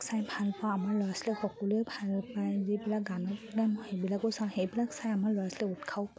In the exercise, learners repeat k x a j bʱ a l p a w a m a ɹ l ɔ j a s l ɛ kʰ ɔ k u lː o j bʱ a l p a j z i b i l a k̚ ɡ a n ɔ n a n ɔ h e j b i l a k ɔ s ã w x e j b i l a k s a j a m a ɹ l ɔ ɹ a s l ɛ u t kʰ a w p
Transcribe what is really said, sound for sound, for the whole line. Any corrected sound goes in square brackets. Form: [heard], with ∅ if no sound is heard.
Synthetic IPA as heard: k [s] a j bʱ a l p a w a m a ɹ l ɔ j a s l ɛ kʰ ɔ k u [l] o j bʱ a l p a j z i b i l a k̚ ɡ a n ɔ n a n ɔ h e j b i l a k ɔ s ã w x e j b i l a k s a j a m a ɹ l ɔ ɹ a s l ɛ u t kʰ a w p